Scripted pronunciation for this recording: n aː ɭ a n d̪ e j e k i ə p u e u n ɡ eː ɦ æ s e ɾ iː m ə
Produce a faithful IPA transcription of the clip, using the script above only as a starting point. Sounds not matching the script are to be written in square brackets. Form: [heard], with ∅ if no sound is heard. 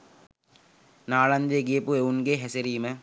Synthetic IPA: n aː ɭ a n d̪ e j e [ɡ] i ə p u e u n ɡ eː ɦ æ s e ɾ iː m ə